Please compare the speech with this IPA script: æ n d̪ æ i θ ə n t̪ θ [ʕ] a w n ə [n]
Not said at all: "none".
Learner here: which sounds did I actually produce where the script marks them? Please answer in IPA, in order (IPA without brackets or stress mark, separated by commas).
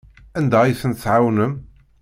ʕ, m